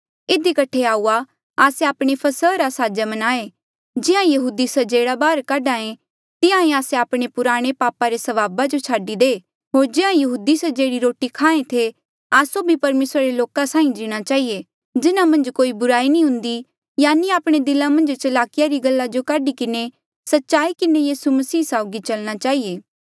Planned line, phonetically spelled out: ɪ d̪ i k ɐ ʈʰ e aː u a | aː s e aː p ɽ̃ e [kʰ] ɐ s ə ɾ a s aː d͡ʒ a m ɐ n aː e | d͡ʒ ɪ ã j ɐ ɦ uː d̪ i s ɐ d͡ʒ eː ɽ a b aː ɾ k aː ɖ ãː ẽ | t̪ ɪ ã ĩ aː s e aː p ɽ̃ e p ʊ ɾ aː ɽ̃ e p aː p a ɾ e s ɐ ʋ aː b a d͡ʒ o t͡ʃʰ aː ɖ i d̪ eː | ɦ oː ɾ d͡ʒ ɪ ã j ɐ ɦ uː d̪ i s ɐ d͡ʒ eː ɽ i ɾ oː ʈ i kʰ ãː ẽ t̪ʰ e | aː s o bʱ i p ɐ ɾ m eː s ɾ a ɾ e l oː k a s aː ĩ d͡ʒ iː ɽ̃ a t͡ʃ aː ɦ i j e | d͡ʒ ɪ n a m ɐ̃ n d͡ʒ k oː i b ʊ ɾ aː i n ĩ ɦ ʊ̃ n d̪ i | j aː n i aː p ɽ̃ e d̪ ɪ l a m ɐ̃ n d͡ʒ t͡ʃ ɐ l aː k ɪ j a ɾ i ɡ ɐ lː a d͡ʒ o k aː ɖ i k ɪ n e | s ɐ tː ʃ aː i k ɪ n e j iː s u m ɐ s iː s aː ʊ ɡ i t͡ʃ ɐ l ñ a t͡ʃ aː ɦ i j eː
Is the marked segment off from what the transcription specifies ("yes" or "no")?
yes